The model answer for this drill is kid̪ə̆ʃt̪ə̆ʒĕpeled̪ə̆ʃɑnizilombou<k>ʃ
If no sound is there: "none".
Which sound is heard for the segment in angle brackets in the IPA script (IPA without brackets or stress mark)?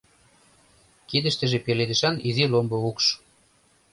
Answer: k